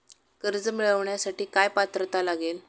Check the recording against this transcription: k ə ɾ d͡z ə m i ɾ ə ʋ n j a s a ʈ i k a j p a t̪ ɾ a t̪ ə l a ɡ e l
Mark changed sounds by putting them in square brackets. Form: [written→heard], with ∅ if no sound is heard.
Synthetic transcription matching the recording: k ə ɾ d͡z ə m i [ɾ→ɭ] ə ʋ [n→ɳ] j a s a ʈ [i→iː] k a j p a t̪ ɾ [a→ə] t̪ [ə→a] l a ɡ e l